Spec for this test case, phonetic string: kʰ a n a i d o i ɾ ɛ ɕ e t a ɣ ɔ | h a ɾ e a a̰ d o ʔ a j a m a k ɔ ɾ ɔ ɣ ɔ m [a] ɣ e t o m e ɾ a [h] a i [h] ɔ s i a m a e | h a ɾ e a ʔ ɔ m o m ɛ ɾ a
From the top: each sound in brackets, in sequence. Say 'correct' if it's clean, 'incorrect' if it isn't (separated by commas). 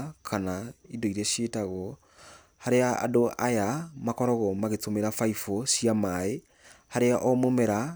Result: correct, incorrect, incorrect